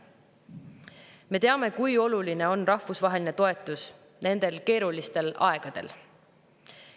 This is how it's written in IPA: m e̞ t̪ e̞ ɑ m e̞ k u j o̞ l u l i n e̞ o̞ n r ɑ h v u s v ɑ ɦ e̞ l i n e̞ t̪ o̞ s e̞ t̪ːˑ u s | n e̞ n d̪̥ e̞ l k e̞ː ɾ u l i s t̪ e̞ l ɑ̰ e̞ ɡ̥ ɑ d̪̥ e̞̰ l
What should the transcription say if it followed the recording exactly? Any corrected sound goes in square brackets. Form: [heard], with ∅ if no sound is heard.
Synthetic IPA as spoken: m e̞ t̪ e̞ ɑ m e̞ k u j o̞ l u l i n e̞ o̞ n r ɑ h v u s v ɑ ɦ e̞ l i n e̞ t̪ o̞ [∅] e̞ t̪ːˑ u s | n e̞ n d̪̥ e̞ l k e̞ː ɾ u l i s t̪ e̞ l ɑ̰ e̞ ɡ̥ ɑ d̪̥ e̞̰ l